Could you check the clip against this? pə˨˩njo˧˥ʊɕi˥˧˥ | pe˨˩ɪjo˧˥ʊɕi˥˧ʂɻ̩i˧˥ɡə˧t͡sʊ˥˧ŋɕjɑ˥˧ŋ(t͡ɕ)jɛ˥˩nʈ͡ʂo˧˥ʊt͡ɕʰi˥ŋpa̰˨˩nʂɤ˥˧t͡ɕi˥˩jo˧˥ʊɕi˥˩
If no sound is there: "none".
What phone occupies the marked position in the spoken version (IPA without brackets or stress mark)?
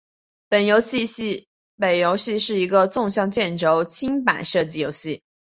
t͡ɕ